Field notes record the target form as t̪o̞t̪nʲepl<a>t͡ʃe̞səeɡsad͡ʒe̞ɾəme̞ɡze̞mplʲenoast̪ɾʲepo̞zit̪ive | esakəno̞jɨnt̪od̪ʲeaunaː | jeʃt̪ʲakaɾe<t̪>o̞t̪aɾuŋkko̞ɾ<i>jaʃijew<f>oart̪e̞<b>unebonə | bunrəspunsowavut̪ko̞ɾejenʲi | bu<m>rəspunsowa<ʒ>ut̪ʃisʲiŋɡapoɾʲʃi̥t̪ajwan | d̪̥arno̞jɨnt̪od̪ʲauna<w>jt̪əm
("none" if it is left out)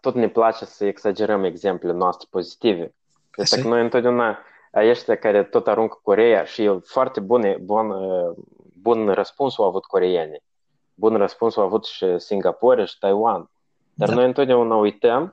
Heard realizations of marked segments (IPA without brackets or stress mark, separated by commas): a, t̪, e, f, b, n, v, u